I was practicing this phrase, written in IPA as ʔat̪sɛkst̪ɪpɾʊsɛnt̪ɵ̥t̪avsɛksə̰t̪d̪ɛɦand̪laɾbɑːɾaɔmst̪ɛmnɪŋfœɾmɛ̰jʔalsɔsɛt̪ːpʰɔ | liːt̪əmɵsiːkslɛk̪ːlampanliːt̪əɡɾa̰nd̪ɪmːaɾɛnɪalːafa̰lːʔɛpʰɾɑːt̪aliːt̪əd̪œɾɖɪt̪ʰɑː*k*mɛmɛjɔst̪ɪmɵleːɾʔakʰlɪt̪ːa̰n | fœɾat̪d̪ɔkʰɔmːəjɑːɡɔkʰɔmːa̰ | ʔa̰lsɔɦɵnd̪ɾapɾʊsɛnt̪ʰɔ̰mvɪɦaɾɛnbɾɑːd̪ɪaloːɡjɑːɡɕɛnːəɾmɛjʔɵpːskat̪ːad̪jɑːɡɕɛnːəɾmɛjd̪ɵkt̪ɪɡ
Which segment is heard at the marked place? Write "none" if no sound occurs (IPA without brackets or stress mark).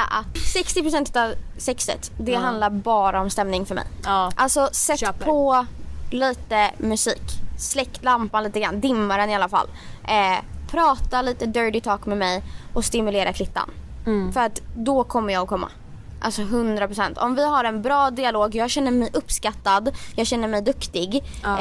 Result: k